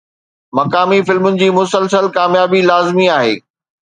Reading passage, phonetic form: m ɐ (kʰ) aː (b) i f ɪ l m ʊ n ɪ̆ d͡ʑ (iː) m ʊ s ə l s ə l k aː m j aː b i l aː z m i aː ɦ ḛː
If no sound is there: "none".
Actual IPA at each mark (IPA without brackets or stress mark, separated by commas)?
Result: k, m, iː